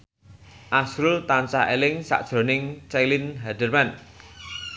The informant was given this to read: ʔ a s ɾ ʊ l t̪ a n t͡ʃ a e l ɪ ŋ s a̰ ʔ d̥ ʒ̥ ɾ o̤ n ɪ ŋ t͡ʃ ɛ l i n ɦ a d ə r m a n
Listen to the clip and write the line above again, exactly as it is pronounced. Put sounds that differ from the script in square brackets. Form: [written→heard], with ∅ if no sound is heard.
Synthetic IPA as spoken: ʔ a s ɾ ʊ l t̪ a n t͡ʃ a e l ɪ ŋ s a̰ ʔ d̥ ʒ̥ ɾ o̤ n ɪ ŋ t͡ʃ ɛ l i n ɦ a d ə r m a n